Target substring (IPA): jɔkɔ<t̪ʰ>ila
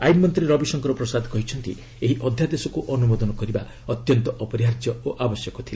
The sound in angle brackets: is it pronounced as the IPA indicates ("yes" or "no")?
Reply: yes